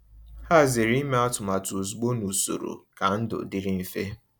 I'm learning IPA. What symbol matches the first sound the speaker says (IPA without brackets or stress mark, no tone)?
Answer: h